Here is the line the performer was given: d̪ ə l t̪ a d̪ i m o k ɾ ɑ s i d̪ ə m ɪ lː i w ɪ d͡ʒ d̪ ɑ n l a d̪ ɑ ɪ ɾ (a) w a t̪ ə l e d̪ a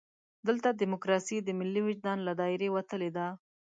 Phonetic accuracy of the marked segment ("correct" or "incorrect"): incorrect